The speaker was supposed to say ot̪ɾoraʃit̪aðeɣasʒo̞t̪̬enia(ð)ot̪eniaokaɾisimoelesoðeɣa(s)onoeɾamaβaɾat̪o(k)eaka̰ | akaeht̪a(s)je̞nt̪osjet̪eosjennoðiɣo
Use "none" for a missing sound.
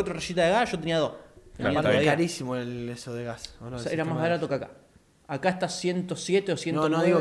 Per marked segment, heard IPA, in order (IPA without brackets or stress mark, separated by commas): ð, s, k, s